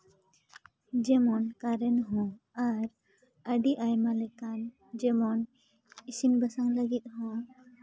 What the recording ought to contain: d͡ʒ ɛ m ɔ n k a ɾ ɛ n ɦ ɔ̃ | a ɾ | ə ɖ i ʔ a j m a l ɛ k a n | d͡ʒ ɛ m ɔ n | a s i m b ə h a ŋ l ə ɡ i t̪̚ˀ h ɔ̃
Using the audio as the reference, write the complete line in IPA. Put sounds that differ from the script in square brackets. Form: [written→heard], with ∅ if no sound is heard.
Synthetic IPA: d͡ʒ ɛ m ɔ n k a ɾ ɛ n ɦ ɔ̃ | a ɾ | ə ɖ i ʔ a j m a l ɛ k a n | d͡ʒ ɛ m ɔ n | [a→i] s i m b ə [h→s] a ŋ l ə ɡ i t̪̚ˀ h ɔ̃